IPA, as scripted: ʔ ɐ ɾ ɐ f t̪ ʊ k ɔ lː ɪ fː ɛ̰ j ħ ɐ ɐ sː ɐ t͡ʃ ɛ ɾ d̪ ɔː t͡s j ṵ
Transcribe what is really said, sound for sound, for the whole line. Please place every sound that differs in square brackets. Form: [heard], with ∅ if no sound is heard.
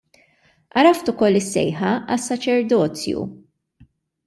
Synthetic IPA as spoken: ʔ ɐ ɾ ɐ f t̪ ʊ k ɔ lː ɪ [sː] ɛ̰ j ħ ɐ ɐ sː ɐ t͡ʃ ɛ ɾ d̪ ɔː t͡s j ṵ